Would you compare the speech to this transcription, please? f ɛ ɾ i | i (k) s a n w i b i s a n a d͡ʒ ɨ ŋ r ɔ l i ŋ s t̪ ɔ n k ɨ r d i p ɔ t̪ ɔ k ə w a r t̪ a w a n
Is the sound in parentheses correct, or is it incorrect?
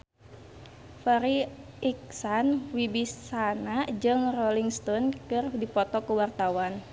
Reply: correct